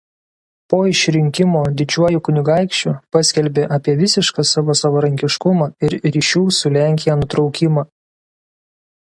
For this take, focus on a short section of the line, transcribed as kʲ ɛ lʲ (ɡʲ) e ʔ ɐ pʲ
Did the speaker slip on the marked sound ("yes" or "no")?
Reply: yes